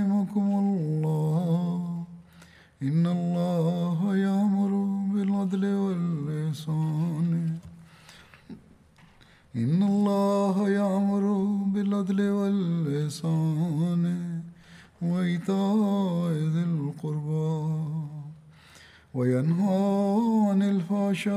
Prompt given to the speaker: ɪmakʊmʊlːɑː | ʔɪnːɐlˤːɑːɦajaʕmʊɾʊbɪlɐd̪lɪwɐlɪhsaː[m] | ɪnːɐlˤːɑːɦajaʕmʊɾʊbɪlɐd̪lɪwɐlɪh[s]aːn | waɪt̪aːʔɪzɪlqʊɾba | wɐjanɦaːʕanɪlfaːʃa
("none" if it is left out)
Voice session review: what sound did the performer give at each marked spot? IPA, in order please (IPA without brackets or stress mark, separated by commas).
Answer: n, s